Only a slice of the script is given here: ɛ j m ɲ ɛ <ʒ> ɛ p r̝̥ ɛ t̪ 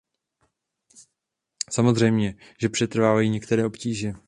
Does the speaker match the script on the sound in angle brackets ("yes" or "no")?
yes